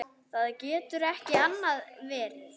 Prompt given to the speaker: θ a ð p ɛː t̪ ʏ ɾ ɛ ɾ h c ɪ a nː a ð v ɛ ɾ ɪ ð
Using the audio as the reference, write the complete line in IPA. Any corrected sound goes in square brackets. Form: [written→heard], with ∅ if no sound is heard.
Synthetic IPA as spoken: θ a ð [p→c] ɛː t̪ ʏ ɾ ɛ [ɾ→∅] h c ɪ a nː a ð v [ɛ→ɛː] ɾ ɪ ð